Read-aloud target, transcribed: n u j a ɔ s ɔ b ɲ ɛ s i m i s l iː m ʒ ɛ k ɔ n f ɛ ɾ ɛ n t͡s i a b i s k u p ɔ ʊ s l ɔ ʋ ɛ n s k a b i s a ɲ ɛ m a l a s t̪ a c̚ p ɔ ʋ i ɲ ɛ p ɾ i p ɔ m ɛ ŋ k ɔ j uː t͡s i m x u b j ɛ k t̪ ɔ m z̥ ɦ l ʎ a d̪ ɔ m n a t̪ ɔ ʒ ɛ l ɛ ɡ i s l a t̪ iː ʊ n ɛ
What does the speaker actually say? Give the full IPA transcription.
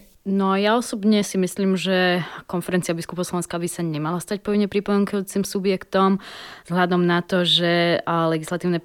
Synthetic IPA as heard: n ɔ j a ɔ s ɔ b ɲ ɛ s i m i s l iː m ʒ ɛ k ɔ n f ɛ ɾ ɛ n t͡s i a b i s k u p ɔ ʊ s l ɔ ʋ ɛ n s k a b i s a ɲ ɛ m a l a s t̪ a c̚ p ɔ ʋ i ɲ ɛ p ɾ i p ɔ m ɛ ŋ k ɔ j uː t͡s i m s u b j ɛ k t̪ ɔ m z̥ ɦ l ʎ a d̪ ɔ m n a t̪ ɔ ʒ ɛ l ɛ ɡ i s l a t̪ iː ʊ n ɛ